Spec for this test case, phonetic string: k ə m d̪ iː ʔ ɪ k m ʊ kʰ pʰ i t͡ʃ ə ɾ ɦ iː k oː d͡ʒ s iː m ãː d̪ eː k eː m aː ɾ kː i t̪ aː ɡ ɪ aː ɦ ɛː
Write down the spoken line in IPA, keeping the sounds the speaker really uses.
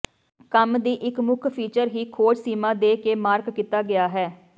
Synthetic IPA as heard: k ə m d̪ iː ʔ ɪ k m ʊ kʰ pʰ iː t͡ʃ ə ɾ ɦ iː kʰ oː d͡ʒ s iː m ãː d̪ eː k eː m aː ɾ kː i t̪ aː ɡ ɪ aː ɦ ɛː